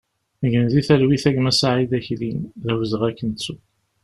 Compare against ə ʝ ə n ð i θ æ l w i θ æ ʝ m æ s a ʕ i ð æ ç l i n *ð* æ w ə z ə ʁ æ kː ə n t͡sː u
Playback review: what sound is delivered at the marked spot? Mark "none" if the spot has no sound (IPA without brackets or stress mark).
ð